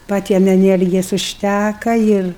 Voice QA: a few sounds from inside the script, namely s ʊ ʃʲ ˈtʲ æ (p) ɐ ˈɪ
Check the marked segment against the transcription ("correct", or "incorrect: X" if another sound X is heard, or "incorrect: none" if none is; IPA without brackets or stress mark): incorrect: k